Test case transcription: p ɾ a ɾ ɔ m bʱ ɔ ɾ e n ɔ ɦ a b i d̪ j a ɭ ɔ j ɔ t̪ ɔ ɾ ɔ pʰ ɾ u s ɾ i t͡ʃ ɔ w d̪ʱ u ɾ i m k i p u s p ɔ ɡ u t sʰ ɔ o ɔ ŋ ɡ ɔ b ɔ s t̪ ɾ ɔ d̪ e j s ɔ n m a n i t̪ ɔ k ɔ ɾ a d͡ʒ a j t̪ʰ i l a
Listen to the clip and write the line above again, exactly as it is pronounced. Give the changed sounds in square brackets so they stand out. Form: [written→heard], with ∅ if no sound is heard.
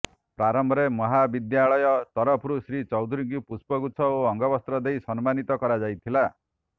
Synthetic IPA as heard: p ɾ a ɾ ɔ m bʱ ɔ ɾ e [n→m] ɔ ɦ a b i d̪ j a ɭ ɔ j ɔ t̪ ɔ ɾ ɔ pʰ ɾ u s ɾ i t͡ʃ ɔ w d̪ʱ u ɾ i [m→ŋ] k i p u s p ɔ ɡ u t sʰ ɔ o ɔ ŋ ɡ ɔ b ɔ s t̪ ɾ ɔ d̪ e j s ɔ n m a n i t̪ ɔ k ɔ ɾ a d͡ʒ a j t̪ʰ i l a